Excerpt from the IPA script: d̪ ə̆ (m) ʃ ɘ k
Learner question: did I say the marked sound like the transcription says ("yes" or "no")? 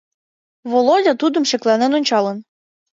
yes